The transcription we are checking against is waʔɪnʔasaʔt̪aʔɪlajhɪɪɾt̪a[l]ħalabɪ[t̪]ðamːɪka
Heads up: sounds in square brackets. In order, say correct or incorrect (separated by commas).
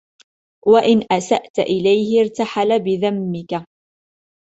incorrect, incorrect